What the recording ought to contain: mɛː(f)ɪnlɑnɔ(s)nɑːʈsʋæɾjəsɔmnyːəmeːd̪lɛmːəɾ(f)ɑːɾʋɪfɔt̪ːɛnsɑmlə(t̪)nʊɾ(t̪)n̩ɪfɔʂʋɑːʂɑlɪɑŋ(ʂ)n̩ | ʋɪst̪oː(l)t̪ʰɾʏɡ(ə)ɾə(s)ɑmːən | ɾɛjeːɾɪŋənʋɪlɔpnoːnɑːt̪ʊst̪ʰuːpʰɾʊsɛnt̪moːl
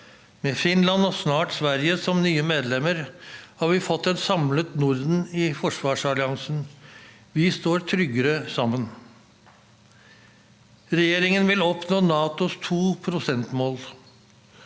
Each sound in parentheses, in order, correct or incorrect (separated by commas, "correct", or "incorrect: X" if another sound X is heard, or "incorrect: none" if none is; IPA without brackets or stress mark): correct, correct, incorrect: h, correct, incorrect: d̪, incorrect: s, incorrect: ɾ, correct, correct